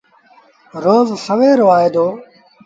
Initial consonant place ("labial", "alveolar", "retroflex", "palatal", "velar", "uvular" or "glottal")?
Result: alveolar